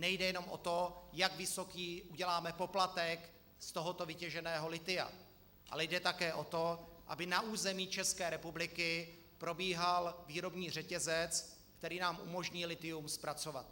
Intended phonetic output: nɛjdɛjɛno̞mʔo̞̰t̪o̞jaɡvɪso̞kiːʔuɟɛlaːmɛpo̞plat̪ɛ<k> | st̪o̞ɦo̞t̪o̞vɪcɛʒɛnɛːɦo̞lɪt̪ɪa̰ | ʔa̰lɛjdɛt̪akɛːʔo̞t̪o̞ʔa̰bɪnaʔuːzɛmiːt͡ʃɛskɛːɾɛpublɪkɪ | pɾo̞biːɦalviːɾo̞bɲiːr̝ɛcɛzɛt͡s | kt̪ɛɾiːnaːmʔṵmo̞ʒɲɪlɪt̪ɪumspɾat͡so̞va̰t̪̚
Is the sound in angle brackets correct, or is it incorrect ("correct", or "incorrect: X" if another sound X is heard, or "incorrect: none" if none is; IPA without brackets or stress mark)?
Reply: correct